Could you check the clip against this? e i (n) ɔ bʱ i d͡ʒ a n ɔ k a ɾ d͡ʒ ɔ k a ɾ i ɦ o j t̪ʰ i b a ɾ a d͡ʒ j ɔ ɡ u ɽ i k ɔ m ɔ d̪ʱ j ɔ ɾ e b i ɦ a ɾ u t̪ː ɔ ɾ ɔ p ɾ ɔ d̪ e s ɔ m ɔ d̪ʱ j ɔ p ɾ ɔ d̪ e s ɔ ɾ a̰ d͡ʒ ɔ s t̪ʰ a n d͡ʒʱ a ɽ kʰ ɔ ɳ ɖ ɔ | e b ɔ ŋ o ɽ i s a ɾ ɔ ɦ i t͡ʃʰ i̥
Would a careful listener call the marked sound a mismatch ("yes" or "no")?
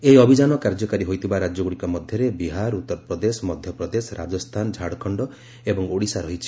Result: yes